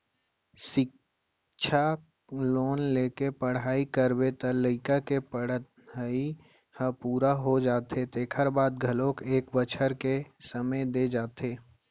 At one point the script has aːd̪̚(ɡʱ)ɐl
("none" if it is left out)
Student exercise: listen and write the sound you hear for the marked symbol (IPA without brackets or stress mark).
ɡʱ